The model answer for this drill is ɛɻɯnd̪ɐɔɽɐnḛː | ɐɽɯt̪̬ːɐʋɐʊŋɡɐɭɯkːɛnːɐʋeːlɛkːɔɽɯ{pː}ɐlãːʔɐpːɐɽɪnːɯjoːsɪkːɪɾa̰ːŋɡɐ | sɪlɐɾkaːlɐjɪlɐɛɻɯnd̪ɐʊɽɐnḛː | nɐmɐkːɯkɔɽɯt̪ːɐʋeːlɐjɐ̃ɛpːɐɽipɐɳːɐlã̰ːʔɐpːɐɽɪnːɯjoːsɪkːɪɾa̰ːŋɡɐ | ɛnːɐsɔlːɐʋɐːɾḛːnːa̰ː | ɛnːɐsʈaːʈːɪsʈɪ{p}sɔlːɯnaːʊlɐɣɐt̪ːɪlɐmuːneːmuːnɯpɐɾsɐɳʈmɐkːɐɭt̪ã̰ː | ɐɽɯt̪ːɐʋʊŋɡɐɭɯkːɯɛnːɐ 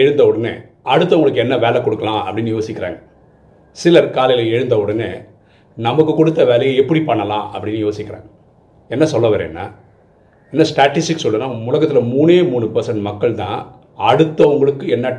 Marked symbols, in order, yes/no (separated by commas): no, no